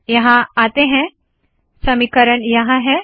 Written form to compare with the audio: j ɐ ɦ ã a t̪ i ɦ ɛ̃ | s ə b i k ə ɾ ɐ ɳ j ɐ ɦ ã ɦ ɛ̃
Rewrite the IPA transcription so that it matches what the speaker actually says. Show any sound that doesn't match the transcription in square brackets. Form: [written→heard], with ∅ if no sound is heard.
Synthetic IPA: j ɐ ɦ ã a t̪ [i→e] ɦ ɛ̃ | s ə [b→m] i k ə ɾ [ɐ→ə] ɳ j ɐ ɦ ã ɦ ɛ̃

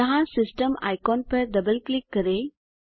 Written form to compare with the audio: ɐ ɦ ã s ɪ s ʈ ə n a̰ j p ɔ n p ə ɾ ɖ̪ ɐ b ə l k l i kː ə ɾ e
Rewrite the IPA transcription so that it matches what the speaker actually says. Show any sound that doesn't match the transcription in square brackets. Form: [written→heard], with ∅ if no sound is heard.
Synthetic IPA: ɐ ɦ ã s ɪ s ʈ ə [n→m] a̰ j [p→k] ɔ n p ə ɾ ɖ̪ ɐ b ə l k l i kː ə ɾ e

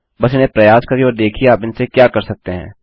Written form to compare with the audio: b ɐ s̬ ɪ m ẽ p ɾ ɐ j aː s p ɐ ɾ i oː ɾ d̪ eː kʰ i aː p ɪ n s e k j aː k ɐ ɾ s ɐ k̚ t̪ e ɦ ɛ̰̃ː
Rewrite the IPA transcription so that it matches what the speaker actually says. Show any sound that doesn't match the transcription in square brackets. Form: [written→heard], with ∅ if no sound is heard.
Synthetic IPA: b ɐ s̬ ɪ [m→n] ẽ p ɾ ɐ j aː s [p→k] ɐ ɾ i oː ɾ d̪ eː kʰ i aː p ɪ n s e k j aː k ɐ ɾ s ɐ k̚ t̪ e ɦ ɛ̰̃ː

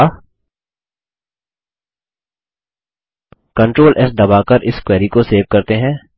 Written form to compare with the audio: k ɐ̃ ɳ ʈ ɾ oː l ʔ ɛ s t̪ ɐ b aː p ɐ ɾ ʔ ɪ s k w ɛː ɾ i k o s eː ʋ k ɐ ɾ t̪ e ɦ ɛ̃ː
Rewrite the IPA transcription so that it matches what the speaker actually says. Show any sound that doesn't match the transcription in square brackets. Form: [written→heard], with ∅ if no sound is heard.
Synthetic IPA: k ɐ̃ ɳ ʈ ɾ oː l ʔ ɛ s [t̪→d̪] ɐ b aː [p→k] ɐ ɾ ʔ ɪ s k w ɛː ɾ i k o s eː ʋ k ɐ ɾ t̪ e ɦ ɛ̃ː

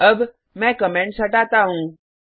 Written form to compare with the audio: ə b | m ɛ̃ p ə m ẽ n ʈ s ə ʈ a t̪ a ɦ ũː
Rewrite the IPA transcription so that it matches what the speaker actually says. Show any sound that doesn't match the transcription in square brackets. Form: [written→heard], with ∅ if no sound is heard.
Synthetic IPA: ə b | m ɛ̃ [p→k] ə m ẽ [n→ɳ] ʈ s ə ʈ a t̪ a ɦ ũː

